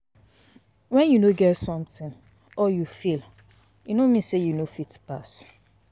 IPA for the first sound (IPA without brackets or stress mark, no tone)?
w